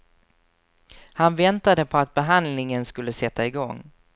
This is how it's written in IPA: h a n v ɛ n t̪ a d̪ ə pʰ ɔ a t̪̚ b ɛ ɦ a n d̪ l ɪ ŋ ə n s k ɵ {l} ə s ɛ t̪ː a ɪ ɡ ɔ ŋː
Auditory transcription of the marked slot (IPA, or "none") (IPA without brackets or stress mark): lː